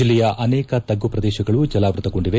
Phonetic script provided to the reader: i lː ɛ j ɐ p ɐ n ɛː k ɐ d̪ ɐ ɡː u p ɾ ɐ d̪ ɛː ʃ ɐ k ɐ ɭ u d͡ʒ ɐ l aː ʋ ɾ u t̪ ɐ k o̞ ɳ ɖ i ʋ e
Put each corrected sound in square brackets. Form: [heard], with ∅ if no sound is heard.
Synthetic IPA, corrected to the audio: i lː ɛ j ɐ [ʔ] ɐ n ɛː k ɐ [t̪] ɐ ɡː u p ɾ ɐ d̪ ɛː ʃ ɐ [ɡ] ɐ ɭ u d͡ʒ ɐ l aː ʋ ɾ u t̪ ɐ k o̞ ɳ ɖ i ʋ e